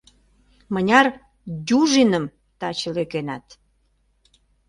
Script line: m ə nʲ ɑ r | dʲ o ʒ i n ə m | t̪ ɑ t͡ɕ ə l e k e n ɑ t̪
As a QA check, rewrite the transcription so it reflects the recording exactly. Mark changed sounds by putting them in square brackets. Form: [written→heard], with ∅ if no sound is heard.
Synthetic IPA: m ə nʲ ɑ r | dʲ [o→u] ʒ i n ə m | t̪ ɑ t͡ɕ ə l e k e n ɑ t̪